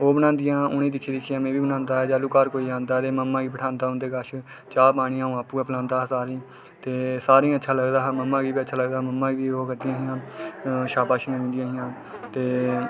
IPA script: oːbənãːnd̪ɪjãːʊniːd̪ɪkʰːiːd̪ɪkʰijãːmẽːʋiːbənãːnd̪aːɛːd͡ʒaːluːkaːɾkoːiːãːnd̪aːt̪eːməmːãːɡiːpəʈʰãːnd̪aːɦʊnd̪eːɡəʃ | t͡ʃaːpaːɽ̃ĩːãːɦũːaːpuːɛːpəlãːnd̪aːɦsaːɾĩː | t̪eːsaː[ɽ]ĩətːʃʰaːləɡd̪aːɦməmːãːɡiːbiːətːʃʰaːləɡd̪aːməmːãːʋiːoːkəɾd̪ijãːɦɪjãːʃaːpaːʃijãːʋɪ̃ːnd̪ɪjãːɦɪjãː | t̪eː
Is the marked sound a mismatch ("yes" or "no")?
yes